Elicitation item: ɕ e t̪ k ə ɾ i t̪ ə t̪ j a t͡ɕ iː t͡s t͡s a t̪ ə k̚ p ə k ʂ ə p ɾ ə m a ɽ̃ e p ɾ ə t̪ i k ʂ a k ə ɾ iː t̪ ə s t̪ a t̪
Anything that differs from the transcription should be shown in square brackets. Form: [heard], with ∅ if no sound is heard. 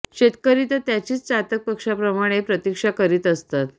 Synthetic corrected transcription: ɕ e t̪ k ə ɾ i t̪ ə t̪ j a t͡ɕ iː t͡s t͡s a t̪ ə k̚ p ə k ʂ [a] p ɾ ə m a ɽ̃ e p ɾ ə t̪ i k ʂ a k ə ɾ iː t̪ ə s t̪ a t̪